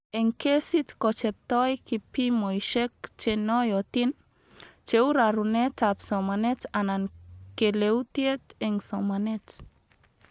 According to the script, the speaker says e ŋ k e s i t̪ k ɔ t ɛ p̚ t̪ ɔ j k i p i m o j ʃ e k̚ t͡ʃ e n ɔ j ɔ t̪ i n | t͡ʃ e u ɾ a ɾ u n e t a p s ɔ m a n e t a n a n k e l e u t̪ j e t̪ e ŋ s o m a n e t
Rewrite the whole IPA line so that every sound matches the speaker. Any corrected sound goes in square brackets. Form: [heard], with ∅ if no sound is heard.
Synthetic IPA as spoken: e ŋ k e s i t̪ k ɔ [t͡ʃ] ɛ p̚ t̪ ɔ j k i p i m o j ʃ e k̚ t͡ʃ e n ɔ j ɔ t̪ i n | t͡ʃ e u ɾ a ɾ u n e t a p s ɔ m a n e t a n a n k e l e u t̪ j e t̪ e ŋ s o m a n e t